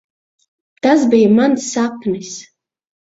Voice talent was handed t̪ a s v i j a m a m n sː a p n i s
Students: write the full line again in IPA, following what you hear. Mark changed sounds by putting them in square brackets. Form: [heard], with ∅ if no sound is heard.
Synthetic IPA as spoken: t̪ a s [b] i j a m a [∅] n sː a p n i s